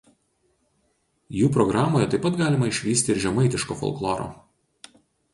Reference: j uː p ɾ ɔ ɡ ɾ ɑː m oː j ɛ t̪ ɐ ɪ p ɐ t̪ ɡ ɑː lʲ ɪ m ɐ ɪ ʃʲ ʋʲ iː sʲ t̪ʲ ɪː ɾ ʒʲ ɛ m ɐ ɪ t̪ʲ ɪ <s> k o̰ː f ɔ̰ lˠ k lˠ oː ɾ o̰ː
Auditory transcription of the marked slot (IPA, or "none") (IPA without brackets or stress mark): ʃ